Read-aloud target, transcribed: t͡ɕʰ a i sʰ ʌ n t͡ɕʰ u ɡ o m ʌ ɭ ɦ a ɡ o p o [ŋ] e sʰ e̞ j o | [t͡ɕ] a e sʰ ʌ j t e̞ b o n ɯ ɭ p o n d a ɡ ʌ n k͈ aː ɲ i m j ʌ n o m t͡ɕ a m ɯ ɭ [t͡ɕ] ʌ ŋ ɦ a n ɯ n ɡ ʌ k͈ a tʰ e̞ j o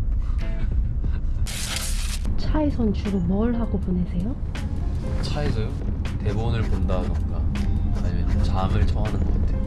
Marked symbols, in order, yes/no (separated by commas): no, no, no